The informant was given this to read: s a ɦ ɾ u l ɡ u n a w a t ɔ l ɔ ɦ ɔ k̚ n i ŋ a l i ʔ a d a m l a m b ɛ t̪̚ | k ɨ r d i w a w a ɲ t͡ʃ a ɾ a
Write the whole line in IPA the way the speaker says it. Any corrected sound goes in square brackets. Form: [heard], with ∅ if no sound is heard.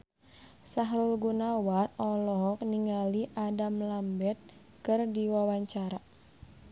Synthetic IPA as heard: s a ɦ ɾ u l ɡ u n a w a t ɔ l ɔ ɦ ɔ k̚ n i ŋ a l i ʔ a d a m l a m b ɛ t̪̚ | k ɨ r d i w a w a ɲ t͡ʃ a ɾ a